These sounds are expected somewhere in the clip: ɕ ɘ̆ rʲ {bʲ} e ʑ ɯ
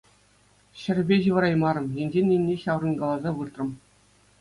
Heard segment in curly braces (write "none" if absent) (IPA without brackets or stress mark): bʲ